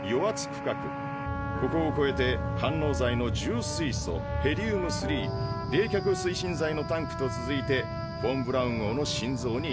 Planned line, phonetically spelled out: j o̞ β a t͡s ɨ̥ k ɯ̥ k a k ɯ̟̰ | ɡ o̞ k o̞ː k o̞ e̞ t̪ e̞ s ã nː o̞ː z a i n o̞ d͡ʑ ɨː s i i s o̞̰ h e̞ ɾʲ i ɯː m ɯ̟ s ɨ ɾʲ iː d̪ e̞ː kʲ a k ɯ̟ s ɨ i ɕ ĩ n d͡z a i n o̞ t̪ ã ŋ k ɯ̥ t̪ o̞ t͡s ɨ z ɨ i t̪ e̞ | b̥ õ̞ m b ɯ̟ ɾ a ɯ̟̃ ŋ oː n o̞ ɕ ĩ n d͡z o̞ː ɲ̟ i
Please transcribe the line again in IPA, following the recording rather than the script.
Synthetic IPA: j o̞ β a t͡s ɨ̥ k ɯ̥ k a k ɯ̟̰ | k o̞ k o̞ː k o̞ e̞ t̪ e̞ h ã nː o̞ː z a i n o̞ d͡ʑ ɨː s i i s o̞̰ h e̞ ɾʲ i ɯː m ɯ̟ s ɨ ɾʲ iː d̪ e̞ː kʲ a k ɯ̟ s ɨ i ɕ ĩ n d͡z a i n o̞ t̪ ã ŋ k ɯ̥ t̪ o̞ t͡s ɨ z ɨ i t̪ e̞ | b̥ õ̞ m b ɯ̟ ɾ a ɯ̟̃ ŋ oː n o̞ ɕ ĩ n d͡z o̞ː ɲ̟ i